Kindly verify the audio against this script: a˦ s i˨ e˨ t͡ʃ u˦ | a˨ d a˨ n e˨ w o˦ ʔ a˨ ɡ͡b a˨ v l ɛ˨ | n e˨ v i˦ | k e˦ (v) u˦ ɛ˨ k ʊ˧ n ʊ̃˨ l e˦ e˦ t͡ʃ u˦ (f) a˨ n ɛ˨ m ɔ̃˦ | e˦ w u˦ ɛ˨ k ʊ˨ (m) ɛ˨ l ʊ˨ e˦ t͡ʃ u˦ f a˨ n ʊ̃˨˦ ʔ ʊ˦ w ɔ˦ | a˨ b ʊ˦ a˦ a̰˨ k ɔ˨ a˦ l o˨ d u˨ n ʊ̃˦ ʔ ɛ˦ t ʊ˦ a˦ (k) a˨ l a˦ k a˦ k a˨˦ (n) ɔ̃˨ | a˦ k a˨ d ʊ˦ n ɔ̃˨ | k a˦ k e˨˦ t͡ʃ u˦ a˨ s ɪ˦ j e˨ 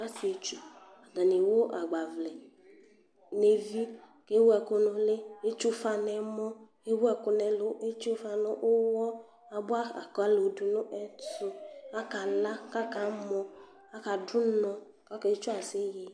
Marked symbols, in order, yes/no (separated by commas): no, yes, no, yes, no